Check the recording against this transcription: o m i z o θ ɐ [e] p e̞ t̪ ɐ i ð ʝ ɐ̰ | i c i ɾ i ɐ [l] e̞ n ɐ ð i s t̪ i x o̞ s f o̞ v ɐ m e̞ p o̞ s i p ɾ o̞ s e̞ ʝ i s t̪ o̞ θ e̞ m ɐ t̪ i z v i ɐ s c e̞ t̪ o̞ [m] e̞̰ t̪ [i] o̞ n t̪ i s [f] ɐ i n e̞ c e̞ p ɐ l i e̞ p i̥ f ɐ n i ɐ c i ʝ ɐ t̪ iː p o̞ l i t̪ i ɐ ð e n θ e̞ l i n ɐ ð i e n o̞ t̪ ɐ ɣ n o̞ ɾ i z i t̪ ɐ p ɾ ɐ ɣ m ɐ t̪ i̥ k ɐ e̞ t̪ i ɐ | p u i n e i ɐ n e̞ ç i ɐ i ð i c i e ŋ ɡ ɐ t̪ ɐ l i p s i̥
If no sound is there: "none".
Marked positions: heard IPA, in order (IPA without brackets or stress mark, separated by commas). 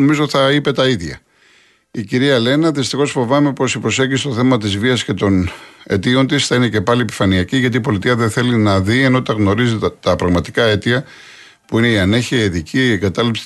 i, l, n, i, θ